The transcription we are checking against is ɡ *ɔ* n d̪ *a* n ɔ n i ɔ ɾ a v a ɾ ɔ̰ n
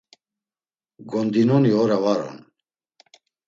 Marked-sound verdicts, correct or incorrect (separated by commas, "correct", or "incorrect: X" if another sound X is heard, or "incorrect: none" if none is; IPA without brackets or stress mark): correct, incorrect: i